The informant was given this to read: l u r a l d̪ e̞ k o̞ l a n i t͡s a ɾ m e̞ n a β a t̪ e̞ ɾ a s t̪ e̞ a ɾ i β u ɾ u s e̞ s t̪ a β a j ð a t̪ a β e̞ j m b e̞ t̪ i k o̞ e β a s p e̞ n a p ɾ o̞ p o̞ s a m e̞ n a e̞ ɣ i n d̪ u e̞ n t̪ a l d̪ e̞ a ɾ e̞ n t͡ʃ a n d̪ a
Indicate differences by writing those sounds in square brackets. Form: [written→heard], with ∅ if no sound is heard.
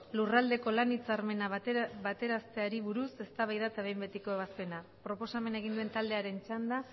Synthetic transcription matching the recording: l u r a l d̪ e̞ k o̞ l a n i t͡s a ɾ m e̞ n a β a t̪ e̞ ɾ a s t̪ e̞ a ɾ i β u ɾ u s e̞ s t̪ a β a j ð a t̪ a β e̞ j m b e̞ t̪ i k o̞ e β a s p e̞ n a p ɾ o̞ p o̞ s a m e̞ n a e̞ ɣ i n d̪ u e̞ n t̪ a l d̪ e̞ a ɾ e̞ n t͡ʃ a n d̪ a